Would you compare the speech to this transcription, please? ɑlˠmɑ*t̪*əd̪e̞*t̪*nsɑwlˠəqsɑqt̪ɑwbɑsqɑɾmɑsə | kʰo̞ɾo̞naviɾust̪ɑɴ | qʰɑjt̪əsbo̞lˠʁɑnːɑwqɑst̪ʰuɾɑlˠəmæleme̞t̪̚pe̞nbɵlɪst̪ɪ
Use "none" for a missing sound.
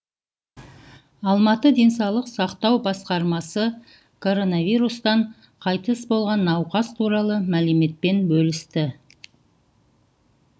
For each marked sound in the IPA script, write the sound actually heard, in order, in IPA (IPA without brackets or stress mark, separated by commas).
t̪, none